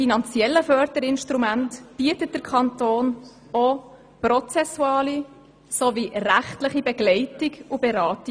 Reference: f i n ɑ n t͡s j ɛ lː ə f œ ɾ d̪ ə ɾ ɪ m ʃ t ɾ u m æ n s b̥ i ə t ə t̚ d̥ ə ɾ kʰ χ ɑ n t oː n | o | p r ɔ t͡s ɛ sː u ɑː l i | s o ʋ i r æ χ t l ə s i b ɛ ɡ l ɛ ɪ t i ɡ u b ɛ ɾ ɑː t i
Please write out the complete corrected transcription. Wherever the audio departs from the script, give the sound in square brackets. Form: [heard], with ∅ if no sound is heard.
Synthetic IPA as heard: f i n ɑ n t͡s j ɛ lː ə f œ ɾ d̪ ə ɾ ɪ [n] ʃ t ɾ u m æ n [t] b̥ i ə t ə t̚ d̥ ə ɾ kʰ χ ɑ n t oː n | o | p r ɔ t͡s ɛ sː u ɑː l i | s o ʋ i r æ χ t l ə [χ] i b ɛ ɡ l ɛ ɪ t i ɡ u b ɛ ɾ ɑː t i